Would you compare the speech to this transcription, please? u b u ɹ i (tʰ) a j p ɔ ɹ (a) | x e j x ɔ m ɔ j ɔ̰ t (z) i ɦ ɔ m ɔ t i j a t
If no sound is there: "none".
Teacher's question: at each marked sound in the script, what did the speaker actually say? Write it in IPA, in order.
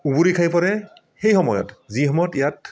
kʰ, ɛ, z

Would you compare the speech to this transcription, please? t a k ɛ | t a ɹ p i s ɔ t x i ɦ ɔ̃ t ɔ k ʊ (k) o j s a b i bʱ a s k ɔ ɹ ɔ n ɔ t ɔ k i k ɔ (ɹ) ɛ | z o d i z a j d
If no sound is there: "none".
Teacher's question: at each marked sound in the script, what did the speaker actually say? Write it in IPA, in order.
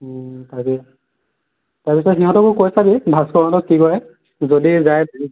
k, ɹ

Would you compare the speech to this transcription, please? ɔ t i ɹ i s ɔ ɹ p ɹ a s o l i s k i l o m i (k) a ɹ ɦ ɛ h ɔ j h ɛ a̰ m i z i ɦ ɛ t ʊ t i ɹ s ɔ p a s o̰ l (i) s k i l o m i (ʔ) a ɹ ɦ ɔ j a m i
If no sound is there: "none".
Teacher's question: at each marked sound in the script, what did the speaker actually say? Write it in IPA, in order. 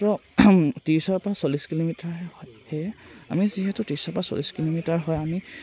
t, i, t

